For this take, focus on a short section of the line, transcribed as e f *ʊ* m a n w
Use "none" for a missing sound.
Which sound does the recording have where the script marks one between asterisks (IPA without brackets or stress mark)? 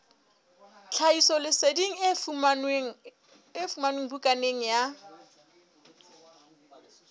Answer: u